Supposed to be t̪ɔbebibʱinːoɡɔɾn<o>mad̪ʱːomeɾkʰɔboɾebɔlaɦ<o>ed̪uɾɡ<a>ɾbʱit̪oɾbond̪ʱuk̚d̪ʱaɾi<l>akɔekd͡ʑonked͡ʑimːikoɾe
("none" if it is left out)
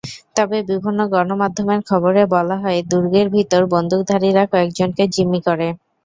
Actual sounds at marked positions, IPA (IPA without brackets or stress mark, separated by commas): o, ɔ, e, ɾ